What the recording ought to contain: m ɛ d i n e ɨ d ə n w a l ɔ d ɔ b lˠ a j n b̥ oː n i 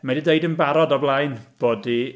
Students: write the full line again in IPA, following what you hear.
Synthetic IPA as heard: m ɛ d i d e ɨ d ə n b a ɾ ɔ d ɔ b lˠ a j n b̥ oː d i